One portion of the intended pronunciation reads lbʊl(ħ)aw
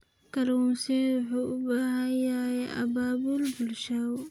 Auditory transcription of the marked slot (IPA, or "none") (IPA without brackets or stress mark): ʃ